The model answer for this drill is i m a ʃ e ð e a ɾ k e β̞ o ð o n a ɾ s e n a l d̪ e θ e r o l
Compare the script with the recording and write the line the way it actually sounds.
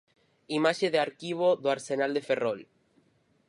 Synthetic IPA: i m a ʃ e ð e a ɾ k i β̞ o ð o a ɾ s e n a l d̪ e f e r o l